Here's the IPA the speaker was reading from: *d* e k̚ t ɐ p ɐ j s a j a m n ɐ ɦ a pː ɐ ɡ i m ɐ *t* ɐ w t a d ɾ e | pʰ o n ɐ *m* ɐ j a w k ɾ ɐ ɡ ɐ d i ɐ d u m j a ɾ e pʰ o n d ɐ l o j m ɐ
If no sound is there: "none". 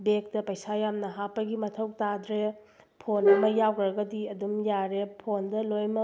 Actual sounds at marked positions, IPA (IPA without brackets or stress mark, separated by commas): b, tʰ, m